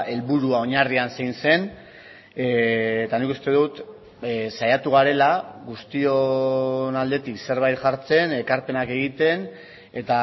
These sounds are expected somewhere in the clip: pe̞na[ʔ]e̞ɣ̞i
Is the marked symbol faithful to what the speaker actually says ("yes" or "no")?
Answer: no